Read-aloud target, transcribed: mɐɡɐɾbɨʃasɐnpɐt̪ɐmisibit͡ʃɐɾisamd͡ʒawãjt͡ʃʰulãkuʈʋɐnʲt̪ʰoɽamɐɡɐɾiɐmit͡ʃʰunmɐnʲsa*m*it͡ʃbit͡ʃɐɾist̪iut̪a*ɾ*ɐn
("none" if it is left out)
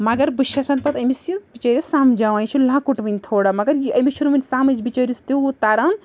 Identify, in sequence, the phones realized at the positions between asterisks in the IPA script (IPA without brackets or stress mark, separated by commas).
m, ɾ